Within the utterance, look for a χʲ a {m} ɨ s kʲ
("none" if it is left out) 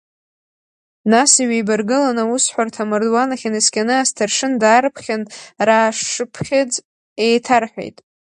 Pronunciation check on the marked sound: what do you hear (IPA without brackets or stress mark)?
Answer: n